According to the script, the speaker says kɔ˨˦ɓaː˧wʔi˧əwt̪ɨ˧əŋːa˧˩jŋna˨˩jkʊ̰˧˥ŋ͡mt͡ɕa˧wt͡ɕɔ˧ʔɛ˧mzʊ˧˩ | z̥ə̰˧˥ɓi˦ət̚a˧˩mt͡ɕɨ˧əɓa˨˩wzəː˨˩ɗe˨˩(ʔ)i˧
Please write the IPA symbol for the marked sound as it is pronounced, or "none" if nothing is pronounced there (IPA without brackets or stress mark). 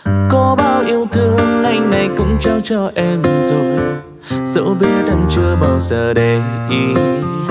ʔ